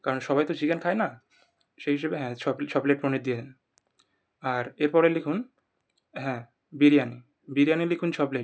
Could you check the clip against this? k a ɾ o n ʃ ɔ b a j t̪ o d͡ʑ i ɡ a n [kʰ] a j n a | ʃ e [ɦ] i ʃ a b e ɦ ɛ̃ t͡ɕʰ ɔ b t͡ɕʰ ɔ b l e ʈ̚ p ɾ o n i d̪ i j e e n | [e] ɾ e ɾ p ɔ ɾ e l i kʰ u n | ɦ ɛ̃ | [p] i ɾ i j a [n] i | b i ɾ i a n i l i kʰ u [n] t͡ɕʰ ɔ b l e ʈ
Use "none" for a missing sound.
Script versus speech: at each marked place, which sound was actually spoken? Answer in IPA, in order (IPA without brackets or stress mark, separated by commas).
kʰ, ɦ, a, b, n, n